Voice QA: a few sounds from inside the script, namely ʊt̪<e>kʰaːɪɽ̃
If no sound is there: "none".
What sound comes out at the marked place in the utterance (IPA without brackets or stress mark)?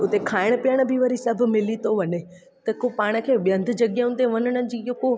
e